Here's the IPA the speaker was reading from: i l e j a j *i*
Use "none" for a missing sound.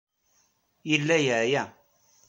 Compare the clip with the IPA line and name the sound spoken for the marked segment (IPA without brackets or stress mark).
a